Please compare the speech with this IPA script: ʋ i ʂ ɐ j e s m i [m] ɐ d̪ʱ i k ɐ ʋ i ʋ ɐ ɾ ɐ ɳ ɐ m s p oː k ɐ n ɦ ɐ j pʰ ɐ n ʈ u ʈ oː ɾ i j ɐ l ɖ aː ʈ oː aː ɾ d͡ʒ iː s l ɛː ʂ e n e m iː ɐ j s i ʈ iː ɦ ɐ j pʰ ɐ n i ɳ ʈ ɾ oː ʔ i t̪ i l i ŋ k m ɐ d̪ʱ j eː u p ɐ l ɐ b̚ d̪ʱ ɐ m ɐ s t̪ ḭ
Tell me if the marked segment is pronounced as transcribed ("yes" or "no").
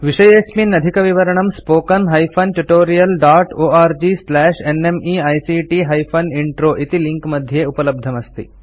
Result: no